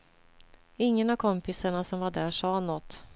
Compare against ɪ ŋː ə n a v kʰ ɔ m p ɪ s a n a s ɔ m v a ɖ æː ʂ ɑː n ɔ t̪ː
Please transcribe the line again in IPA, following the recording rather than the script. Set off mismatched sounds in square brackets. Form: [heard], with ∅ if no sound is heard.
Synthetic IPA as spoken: ɪ ŋː ə n a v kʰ ɔ m p ɪ s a [ɳ] a s ɔ m v a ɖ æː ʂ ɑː n ɔ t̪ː